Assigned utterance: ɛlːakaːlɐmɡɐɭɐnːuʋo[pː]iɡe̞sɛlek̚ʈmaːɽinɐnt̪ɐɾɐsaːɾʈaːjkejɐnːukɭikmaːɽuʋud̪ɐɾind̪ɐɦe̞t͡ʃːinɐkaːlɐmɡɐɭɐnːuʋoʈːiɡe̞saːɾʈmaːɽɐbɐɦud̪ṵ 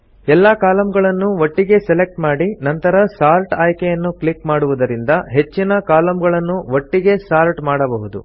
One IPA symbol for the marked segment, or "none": ʈː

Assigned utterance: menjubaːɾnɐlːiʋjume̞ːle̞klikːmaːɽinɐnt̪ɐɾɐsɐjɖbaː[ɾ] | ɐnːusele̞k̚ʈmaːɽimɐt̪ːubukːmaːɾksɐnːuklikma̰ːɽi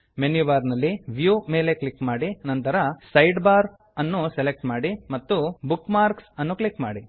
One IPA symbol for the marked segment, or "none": ɾ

